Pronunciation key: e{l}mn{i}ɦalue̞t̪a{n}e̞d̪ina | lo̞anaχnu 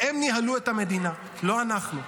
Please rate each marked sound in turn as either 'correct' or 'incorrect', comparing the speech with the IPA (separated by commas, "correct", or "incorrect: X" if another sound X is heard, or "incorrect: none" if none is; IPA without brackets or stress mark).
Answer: incorrect: none, correct, incorrect: m